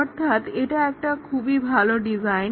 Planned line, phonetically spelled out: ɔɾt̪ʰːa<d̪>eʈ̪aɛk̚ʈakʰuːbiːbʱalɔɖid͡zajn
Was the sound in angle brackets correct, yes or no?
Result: no